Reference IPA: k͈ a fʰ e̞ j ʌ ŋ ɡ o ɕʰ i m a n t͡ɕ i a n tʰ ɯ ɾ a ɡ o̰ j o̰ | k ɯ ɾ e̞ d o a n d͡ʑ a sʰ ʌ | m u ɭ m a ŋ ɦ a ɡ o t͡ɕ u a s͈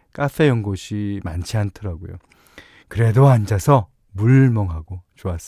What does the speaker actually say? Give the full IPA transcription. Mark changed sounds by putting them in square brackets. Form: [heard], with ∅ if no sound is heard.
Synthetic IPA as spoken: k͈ a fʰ e̞ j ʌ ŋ ɡ o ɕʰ i m a n [t͡ɕʰ] i a n tʰ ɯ ɾ a ɡ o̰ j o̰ | k ɯ ɾ e̞ d o a n d͡ʑ a sʰ ʌ | m u ɭ m [ʌ] ŋ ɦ a ɡ o t͡ɕ [o] a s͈